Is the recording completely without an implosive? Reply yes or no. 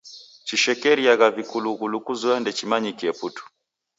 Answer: yes